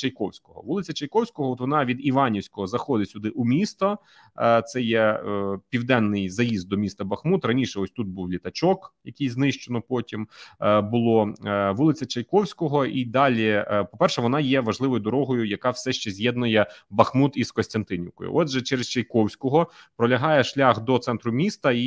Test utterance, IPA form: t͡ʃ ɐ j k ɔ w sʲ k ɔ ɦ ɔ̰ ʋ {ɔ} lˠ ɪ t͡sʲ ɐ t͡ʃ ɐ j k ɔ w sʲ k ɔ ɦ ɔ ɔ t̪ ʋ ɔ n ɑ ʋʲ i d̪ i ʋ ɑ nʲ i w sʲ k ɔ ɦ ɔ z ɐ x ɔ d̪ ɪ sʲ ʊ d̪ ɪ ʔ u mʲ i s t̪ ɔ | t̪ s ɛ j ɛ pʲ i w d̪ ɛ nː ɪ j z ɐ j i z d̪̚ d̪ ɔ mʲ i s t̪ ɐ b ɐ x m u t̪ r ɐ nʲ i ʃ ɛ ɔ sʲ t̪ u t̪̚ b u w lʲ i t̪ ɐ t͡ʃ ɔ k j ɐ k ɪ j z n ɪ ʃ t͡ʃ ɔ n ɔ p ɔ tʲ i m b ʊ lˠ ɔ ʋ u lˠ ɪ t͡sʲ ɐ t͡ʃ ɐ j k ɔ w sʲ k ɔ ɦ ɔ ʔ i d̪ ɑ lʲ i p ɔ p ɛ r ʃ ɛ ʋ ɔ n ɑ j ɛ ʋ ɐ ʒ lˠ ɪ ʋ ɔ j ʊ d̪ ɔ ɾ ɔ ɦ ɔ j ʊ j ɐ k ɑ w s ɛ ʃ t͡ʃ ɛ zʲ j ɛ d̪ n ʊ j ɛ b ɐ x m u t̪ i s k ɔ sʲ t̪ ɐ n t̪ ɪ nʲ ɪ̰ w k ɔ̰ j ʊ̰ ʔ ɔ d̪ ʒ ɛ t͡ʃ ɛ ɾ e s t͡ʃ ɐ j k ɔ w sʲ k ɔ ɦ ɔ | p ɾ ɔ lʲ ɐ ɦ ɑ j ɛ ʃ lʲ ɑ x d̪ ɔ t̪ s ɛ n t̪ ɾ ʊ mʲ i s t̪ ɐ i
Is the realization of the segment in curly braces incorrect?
yes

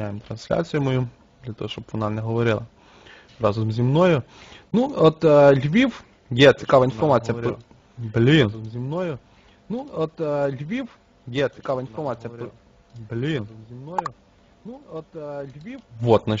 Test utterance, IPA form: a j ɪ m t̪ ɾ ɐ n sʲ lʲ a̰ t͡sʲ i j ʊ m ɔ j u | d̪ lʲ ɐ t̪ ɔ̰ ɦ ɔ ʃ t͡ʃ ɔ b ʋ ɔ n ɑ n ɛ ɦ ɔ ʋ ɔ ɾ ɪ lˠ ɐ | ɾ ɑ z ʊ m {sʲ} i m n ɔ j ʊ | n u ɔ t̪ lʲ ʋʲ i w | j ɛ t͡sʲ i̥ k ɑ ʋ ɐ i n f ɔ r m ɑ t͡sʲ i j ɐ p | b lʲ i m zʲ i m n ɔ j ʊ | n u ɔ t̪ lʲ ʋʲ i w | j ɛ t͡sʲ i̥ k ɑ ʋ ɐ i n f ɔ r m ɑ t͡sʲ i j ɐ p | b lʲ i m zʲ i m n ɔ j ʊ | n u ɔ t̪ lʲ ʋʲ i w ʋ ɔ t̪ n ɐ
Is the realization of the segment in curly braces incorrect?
yes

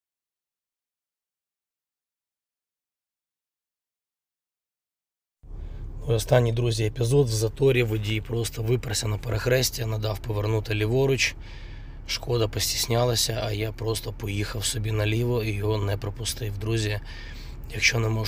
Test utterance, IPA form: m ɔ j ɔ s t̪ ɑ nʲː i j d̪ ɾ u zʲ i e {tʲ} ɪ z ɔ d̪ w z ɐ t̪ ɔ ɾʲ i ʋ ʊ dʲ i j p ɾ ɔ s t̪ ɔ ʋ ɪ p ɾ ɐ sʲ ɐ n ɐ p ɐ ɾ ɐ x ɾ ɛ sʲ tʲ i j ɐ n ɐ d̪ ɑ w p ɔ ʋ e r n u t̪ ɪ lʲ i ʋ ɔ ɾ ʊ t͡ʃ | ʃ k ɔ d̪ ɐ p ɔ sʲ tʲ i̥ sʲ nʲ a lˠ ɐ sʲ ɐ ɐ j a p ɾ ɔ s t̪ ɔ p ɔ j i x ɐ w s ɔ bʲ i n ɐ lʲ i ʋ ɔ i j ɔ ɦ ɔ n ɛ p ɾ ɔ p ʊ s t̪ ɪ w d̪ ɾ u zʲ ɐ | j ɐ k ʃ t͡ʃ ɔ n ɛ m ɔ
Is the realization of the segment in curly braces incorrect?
yes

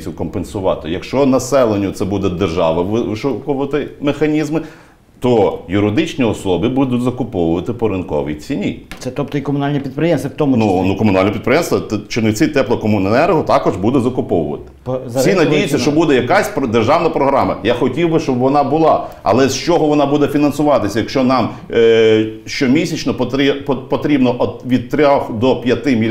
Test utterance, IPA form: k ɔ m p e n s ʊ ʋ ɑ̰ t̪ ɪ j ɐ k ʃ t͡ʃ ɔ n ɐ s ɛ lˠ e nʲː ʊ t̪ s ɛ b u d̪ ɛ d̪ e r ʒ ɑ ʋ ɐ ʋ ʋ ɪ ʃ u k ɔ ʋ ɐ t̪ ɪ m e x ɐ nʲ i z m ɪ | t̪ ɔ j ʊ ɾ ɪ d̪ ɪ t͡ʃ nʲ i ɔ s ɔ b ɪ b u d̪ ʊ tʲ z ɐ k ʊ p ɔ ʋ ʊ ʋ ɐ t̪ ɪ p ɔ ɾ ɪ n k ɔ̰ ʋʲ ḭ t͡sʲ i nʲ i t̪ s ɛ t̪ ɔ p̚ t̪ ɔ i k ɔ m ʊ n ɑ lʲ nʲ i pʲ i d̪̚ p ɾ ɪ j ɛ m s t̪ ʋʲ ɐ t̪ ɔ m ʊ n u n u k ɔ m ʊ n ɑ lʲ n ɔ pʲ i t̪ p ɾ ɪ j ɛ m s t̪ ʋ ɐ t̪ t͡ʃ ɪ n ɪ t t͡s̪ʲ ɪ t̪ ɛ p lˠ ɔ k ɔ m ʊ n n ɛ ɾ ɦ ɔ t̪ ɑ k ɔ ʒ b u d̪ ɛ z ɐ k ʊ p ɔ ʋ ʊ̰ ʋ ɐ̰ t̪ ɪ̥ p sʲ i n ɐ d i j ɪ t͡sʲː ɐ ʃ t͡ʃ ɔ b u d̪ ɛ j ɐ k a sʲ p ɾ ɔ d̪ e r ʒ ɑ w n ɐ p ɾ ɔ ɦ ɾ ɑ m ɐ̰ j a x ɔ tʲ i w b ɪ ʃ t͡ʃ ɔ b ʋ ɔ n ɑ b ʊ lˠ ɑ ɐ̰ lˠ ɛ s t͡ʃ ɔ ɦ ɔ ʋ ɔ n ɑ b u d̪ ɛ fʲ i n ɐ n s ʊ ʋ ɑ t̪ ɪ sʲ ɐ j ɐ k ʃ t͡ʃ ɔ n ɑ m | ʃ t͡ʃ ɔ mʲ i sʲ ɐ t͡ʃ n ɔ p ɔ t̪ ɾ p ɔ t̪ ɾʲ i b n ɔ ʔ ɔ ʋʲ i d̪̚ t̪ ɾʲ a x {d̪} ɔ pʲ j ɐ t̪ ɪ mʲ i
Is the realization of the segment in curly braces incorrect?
no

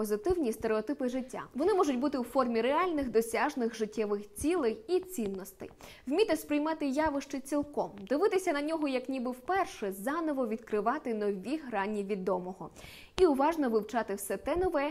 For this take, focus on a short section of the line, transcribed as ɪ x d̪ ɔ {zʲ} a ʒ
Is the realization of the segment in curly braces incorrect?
yes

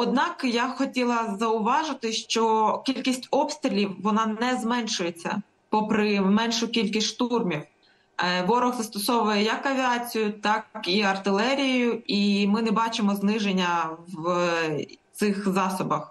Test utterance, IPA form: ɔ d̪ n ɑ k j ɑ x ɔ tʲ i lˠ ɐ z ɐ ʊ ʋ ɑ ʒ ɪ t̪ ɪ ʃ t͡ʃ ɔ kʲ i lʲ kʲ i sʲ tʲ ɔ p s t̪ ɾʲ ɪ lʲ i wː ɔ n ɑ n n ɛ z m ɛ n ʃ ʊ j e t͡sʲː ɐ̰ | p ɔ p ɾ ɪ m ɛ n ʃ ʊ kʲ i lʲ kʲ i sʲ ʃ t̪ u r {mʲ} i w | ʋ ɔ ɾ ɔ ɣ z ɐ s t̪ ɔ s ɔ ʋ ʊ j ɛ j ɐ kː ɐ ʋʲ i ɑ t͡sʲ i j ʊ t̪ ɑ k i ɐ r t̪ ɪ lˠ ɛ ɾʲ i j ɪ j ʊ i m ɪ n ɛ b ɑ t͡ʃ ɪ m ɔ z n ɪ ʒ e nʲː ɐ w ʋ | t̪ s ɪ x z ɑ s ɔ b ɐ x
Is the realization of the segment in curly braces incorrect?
no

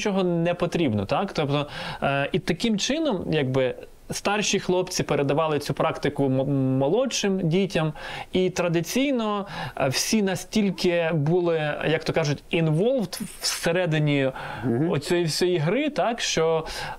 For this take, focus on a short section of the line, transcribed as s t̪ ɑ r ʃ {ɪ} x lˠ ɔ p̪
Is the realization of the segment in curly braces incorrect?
yes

